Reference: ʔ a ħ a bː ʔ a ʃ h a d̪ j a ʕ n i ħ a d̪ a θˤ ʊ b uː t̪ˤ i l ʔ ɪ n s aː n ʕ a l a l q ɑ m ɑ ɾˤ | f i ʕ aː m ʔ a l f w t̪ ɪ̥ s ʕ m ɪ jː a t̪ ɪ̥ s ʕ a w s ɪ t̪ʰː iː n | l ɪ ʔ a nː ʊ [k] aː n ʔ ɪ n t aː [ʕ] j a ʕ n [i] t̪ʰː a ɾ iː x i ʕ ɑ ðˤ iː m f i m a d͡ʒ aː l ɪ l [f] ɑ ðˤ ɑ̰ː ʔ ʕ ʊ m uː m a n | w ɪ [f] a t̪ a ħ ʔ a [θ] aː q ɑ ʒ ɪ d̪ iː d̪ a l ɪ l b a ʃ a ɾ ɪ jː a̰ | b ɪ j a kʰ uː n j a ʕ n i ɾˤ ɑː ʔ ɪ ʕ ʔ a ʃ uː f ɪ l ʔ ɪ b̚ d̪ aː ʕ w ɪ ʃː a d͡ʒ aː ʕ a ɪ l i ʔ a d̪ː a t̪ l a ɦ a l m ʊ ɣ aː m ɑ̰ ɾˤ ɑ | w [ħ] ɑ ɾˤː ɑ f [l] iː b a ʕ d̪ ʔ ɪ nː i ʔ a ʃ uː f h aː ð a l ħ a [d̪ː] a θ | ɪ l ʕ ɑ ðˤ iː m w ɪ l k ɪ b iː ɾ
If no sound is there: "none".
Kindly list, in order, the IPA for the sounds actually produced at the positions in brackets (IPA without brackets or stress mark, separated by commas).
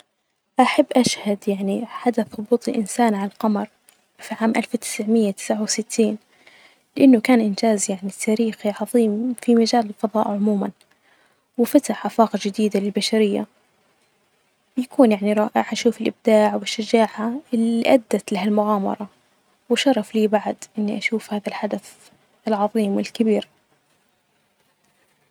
k, z, i, f, f, f, ʃ, l, d̪